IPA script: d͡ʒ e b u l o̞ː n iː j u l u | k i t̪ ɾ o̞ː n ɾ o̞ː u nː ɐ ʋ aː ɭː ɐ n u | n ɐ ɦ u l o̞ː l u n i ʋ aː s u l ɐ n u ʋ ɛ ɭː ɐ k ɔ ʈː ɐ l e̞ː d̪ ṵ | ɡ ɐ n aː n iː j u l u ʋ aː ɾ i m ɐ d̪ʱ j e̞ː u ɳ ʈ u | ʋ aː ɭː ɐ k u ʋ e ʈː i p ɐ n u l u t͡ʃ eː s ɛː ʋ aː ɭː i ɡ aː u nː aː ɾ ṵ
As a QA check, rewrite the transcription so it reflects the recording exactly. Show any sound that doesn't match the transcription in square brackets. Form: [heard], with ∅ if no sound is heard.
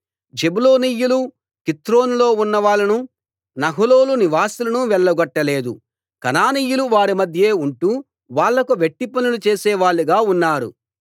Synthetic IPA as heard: d͡ʒ e b u l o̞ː n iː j u l u | k i t̪ ɾ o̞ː n [l] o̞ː u nː ɐ ʋ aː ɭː ɐ n u | n ɐ ɦ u l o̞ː l u n i ʋ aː s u l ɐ n u ʋ ɛ ɭː ɐ [ɡ] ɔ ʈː ɐ l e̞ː d̪ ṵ | [k] ɐ n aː n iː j u l u ʋ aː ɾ i m ɐ d̪ʱ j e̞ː u ɳ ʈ u | ʋ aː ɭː ɐ k u ʋ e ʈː i p ɐ n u l u t͡ʃ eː s ɛː ʋ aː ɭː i ɡ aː u nː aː ɾ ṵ